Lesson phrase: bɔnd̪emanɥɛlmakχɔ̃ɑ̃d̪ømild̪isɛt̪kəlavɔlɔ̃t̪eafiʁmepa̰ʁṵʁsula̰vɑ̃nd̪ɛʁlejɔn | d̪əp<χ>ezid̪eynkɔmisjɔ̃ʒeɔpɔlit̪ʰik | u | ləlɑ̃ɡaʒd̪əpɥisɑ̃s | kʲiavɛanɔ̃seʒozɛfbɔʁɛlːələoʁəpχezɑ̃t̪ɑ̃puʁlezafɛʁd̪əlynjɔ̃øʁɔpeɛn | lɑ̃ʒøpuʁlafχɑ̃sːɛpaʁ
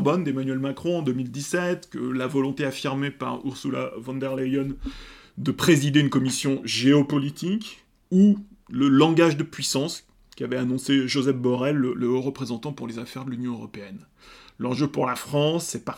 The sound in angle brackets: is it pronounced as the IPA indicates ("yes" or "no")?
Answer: yes